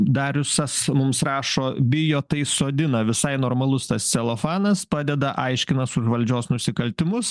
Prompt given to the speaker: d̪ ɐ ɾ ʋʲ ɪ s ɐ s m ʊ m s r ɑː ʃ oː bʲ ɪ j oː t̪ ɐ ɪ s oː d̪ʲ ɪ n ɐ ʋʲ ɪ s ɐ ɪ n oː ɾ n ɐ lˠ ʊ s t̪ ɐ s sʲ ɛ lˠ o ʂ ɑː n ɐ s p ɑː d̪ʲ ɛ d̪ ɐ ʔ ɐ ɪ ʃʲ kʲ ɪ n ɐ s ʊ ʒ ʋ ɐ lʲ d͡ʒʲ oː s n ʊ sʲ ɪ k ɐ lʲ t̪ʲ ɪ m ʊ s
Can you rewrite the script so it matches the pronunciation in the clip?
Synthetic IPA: d̪ ɐ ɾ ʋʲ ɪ s ɐ s m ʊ m s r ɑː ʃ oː bʲ ɪ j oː t̪ ɐ ɪ s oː d̪ʲ ɪ n ɐ ʋʲ ɪ s ɐ ɪ n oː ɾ m ɐ lˠ ʊ s t̪ ɐ s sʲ ɛ lˠ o f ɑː n ɐ s p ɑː d̪ʲ ɛ d̪ ɐ ʔ ɐ ɪ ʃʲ kʲ ɪ n ɐ s ʊ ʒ ʋ ɐ lʲ d͡ʒʲ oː s n ʊ sʲ ɪ k ɐ lʲ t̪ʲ ɪ m ʊ s